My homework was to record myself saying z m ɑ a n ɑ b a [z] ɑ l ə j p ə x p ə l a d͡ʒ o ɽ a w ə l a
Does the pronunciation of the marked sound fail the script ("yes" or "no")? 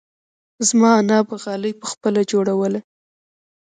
yes